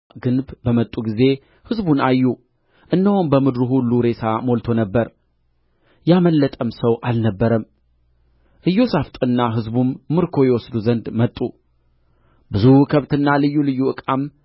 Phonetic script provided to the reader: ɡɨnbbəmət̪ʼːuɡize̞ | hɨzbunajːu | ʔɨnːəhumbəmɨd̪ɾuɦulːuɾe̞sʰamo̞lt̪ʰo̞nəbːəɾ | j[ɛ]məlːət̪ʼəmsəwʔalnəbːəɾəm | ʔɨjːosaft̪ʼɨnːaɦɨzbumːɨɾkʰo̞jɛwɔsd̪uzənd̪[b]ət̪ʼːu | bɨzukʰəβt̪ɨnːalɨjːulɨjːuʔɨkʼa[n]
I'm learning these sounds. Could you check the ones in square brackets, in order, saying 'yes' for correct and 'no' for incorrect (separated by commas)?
no, no, no